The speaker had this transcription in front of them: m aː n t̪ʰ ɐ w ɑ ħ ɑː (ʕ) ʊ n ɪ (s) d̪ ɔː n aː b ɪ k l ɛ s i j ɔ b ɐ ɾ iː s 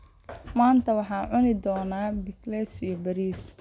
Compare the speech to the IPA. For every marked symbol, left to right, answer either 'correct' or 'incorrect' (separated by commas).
correct, incorrect